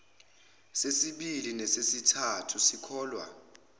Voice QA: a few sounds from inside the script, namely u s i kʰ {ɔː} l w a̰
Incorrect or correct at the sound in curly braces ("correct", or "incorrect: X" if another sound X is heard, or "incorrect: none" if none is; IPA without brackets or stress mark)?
correct